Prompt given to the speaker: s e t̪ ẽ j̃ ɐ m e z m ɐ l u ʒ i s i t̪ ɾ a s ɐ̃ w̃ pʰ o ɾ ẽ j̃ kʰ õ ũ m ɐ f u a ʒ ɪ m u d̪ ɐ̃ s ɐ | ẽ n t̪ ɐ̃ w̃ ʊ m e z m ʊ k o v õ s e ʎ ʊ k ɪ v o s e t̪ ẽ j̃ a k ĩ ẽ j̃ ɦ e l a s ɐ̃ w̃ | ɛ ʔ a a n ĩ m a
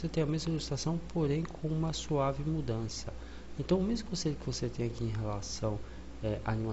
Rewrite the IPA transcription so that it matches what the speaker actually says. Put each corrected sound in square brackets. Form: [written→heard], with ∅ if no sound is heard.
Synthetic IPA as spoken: s e t̪ ẽ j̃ ɐ m e z m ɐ l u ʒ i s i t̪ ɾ a s ɐ̃ w̃ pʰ o ɾ ẽ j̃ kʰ õ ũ m ɐ [f→s] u a [ʒ→v] ɪ m u d̪ ɐ̃ s ɐ | ẽ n t̪ ɐ̃ w̃ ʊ m e z m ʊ k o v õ s e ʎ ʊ k ɪ v o s e t̪ ẽ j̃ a k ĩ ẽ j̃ ɦ e l a s ɐ̃ w̃ | ɛ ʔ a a n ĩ m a

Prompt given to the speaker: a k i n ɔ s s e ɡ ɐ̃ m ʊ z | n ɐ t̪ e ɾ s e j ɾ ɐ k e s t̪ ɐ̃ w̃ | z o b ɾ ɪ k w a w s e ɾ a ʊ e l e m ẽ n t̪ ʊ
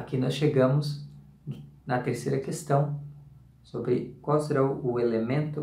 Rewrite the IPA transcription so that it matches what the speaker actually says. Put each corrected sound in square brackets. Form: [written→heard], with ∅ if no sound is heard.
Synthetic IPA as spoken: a k i n ɔ s [s→ʃ] e ɡ ɐ̃ m ʊ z | n ɐ t̪ e ɾ s e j ɾ ɐ k e s t̪ ɐ̃ w̃ | [z→s] o b ɾ ɪ k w a w s e ɾ a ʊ e l e m ẽ n t̪ ʊ

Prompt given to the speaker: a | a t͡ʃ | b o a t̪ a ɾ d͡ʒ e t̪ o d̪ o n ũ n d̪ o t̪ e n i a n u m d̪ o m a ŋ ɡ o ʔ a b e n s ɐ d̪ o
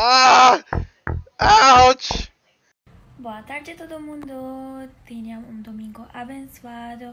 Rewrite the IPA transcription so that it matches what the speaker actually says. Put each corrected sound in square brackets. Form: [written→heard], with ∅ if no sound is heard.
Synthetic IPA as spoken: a | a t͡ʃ | b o a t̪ a ɾ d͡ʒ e t̪ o d̪ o [n→m] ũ n d̪ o t̪ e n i a [n→m] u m d̪ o m [a→i] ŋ ɡ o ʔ a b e n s [ɐ→a] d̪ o

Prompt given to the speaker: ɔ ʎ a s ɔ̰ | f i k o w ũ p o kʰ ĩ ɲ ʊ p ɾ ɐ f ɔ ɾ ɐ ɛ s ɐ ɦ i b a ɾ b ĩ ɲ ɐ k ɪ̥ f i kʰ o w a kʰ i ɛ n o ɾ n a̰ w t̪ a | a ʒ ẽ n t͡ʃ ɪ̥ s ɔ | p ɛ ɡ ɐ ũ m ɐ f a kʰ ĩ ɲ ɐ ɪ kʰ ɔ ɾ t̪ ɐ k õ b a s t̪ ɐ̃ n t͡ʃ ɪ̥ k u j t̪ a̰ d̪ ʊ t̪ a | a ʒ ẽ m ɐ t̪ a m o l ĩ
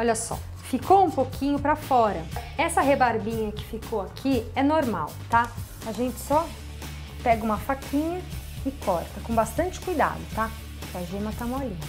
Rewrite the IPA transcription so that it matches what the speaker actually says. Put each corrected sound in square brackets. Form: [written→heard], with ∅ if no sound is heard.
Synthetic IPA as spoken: ɔ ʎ [a→ɐ] s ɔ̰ | f i k o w ũ p o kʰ ĩ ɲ ʊ p ɾ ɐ f ɔ ɾ ɐ ɛ s ɐ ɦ [i→e] b a ɾ b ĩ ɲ ɐ k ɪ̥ f i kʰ o w a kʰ i ɛ n o ɾ [n→m] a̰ w t̪ a | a ʒ ẽ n t͡ʃ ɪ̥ s ɔ | p ɛ ɡ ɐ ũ m ɐ f a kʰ ĩ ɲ ɐ ɪ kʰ ɔ ɾ t̪ ɐ k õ b a s t̪ ɐ̃ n t͡ʃ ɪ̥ k u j [t̪→d̪] a̰ d̪ ʊ t̪ a | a ʒ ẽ m ɐ t̪ a m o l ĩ

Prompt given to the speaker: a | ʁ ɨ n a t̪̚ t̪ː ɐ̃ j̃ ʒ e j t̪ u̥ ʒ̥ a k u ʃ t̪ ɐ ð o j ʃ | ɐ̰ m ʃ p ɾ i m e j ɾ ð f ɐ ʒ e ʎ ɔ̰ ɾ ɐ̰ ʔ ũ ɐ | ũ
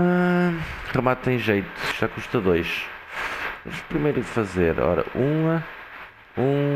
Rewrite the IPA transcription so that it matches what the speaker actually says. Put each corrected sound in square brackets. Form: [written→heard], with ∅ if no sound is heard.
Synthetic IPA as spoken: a | ʁ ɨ [n→m] a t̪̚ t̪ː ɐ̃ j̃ ʒ e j t̪ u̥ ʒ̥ a k u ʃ t̪ ɐ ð o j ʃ | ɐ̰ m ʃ p ɾ i m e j ɾ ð f ɐ [ʒ→z] e [ʎ→ɾ] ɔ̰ ɾ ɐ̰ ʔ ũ ɐ | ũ

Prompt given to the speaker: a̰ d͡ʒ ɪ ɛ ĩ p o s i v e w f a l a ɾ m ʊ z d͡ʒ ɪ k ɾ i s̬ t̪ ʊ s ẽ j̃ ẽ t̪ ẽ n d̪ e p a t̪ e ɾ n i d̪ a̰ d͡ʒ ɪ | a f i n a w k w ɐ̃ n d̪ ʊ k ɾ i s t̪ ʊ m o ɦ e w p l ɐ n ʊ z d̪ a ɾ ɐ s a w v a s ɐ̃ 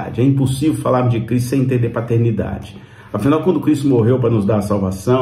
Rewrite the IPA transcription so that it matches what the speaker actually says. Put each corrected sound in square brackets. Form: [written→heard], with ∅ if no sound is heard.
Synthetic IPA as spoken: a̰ d͡ʒ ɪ ɛ ĩ p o s i v e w f a l a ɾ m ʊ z d͡ʒ ɪ k ɾ i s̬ t̪ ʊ s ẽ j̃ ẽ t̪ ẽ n d̪ e p a t̪ e ɾ n i d̪ a̰ d͡ʒ ɪ | a f i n a w k w ɐ̃ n d̪ ʊ k ɾ i s t̪ ʊ m o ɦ e w p [l→ɾ] ɐ n ʊ z d̪ a ɾ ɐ s a w v a s ɐ̃

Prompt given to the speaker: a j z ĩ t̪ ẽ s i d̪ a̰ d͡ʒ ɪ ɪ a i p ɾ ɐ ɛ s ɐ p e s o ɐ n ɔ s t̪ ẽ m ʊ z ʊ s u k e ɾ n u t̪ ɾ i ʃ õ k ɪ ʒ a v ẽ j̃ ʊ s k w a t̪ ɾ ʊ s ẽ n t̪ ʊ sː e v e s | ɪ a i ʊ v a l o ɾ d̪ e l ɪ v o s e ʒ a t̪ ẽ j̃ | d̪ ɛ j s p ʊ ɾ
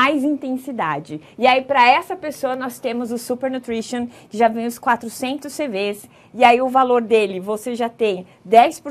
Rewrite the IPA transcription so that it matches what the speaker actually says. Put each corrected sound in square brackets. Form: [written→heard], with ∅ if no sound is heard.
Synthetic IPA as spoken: a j z ĩ t̪ ẽ s i d̪ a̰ d͡ʒ ɪ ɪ a i p ɾ ɐ ɛ s ɐ p e s o ɐ n ɔ s t̪ ẽ m ʊ z ʊ s u [k→p] e ɾ n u t̪ ɾ i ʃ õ k ɪ ʒ a v ẽ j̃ ʊ s k w a t̪ ɾ ʊ s ẽ n t̪ ʊ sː e v e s | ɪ a i ʊ v a l o ɾ d̪ e l ɪ v o s e ʒ a t̪ ẽ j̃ | d̪ ɛ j s p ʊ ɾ

